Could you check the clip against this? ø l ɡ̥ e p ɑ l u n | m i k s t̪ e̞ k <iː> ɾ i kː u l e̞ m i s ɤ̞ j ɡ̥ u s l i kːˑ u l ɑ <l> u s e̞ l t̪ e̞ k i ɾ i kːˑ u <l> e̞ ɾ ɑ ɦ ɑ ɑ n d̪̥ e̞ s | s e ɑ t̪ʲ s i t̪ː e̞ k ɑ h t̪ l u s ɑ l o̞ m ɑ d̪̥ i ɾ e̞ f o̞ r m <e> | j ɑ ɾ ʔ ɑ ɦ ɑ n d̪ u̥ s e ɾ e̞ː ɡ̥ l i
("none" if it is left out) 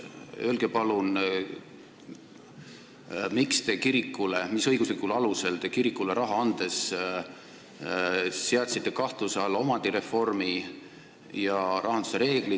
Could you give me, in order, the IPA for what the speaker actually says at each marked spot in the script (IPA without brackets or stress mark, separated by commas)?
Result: i, l, l, i